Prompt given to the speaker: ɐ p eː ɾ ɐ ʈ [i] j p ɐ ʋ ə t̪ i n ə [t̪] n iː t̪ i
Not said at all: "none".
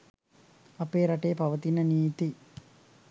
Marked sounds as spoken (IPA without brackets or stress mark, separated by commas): e, none